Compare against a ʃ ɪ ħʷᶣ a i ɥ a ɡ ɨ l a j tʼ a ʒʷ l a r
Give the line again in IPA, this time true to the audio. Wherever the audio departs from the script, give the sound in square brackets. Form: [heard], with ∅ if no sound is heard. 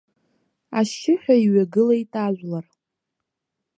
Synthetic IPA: a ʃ ɪ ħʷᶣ a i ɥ a ɡ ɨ l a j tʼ a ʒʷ l a r